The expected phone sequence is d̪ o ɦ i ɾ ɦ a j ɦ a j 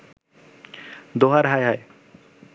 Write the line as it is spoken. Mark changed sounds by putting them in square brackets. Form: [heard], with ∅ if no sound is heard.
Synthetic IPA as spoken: d̪ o ɦ [a] ɾ ɦ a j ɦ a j